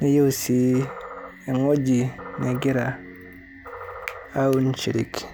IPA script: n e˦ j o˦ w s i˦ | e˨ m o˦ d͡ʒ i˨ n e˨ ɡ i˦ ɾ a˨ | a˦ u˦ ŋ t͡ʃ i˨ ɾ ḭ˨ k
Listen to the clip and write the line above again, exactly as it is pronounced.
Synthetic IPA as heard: n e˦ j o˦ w s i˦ | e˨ ŋ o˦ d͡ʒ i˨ n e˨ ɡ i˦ ɾ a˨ | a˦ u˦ n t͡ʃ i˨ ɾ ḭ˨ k